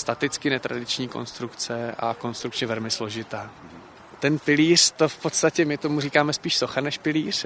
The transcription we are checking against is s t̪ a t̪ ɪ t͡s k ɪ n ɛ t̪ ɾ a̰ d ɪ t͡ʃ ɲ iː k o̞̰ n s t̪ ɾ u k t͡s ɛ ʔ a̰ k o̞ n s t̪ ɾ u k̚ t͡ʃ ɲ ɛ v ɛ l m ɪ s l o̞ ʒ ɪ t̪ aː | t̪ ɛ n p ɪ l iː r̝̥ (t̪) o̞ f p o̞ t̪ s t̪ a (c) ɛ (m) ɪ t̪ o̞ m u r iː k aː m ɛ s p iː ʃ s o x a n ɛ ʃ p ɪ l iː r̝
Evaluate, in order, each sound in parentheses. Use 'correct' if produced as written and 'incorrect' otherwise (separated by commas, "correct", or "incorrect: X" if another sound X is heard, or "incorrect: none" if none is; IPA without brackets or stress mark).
correct, correct, correct